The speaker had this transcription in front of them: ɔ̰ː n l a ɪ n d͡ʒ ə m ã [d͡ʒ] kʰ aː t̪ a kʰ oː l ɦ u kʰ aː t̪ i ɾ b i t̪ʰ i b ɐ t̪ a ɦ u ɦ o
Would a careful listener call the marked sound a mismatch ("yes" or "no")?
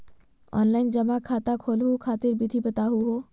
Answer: yes